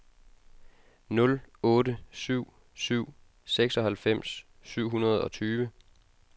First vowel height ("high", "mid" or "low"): mid